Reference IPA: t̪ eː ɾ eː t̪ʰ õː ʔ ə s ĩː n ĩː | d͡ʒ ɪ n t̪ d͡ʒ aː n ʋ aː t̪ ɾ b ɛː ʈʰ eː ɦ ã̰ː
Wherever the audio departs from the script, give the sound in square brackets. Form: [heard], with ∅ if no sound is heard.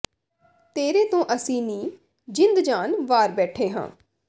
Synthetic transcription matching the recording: t̪ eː ɾ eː [t̪] õː ʔ ə s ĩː n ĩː | d͡ʒ ɪ n [d̪] d͡ʒ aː n ʋ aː [∅] ɾ b ɛː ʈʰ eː ɦ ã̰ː